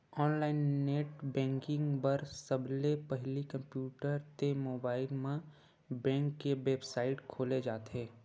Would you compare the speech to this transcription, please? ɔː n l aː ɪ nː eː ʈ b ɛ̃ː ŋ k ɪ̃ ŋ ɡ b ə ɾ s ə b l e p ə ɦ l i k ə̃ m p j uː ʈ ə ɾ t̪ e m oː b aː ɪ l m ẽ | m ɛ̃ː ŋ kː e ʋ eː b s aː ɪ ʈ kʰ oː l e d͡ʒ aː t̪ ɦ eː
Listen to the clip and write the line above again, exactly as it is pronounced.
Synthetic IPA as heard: ɔː n l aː ɪ nː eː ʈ b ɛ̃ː ŋ k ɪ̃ ŋ ɡ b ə ɾ s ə b l e p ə ɦ l i k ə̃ m p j uː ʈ ə ɾ t̪ e m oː b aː ɪ l m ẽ | b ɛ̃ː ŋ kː e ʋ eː b s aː ɪ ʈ kʰ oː l e d͡ʒ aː t̪ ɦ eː